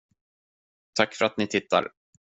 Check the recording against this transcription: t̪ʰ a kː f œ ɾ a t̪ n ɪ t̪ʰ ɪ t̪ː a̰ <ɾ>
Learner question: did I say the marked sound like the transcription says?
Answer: yes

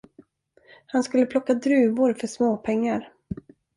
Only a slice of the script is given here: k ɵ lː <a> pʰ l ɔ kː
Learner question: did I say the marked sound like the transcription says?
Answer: no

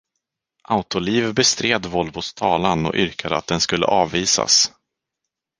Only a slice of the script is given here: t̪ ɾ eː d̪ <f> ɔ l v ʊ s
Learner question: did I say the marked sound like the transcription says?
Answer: no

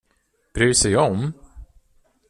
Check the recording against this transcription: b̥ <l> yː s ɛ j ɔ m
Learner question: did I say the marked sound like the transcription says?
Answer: no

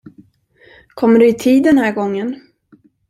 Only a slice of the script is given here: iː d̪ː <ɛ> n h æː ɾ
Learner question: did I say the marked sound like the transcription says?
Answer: yes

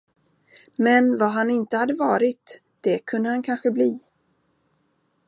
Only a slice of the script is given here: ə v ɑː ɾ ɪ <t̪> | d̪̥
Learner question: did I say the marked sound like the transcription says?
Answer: yes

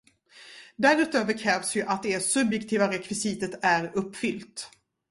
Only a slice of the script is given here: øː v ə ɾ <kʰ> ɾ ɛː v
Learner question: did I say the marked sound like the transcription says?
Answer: yes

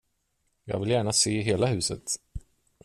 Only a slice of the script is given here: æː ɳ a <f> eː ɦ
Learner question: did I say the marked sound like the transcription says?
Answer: no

